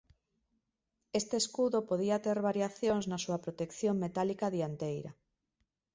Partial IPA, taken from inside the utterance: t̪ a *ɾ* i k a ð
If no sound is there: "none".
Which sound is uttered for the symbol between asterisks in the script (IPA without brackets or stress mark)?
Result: l